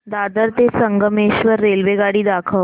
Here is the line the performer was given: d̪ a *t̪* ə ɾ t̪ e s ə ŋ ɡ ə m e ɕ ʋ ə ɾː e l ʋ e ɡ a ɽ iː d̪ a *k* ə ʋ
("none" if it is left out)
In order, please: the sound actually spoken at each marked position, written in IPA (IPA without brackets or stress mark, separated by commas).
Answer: d̪, kʰ